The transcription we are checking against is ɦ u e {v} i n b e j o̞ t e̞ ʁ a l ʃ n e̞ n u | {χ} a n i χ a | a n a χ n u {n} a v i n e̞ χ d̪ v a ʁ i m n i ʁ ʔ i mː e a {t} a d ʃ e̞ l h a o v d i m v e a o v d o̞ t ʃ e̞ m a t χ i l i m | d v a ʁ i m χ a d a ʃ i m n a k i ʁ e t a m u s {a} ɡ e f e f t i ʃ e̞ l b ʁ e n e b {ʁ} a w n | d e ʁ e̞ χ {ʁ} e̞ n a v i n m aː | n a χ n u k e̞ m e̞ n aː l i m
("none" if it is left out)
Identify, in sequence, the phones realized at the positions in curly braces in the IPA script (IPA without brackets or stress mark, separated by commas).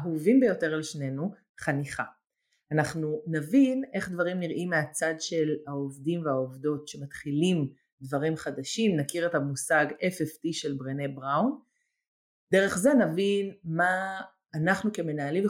v, χ, n, t͡s, a, ʁ, z